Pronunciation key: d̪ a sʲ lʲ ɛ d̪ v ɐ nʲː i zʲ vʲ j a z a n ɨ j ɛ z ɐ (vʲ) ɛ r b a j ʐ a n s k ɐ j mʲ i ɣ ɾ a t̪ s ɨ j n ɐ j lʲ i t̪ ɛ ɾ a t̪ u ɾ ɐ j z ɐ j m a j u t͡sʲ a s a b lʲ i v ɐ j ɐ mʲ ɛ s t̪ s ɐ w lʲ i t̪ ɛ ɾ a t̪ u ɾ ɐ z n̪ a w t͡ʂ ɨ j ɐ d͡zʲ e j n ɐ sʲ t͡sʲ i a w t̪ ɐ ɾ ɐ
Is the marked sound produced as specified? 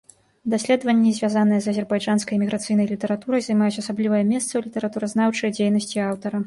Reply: no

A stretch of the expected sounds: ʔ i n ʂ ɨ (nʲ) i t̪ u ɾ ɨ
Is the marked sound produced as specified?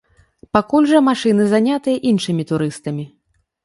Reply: no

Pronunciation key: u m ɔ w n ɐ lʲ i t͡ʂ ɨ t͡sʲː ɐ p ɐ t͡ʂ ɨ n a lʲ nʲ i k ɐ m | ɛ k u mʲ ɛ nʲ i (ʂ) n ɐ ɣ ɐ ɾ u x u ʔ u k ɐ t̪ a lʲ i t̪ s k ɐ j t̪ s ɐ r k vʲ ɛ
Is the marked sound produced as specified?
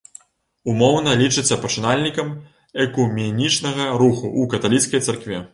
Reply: no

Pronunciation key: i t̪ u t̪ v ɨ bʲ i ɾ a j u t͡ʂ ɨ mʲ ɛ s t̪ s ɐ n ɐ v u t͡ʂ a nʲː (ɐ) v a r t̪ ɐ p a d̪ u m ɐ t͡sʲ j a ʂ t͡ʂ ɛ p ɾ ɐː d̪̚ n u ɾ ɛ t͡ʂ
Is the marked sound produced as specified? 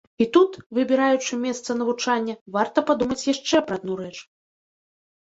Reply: yes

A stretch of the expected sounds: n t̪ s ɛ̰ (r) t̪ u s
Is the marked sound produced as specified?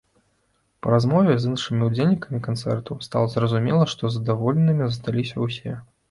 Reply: yes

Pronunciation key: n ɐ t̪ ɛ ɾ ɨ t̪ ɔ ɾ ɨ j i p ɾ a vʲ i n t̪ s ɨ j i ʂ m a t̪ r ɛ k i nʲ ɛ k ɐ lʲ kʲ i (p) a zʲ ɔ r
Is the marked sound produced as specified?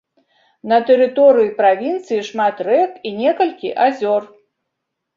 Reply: no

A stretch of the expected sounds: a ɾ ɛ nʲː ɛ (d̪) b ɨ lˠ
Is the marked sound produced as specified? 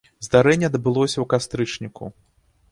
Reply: yes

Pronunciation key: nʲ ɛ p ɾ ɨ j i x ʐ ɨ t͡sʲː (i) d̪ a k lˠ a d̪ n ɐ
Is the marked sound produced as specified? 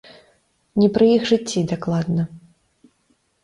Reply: yes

